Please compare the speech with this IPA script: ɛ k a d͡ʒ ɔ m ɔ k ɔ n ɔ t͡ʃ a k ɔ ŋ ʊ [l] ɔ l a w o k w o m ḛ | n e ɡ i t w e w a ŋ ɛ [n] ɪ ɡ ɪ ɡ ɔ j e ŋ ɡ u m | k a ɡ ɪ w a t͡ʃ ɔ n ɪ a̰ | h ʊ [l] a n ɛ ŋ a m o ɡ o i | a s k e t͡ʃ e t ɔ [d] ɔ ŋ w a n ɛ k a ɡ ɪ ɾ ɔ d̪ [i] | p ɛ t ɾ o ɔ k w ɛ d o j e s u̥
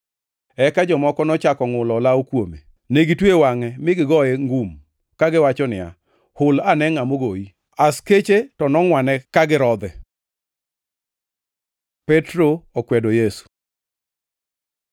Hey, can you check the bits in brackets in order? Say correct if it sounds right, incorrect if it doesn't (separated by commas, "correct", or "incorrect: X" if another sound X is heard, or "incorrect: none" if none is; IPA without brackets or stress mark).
correct, incorrect: m, correct, incorrect: n, incorrect: ɛ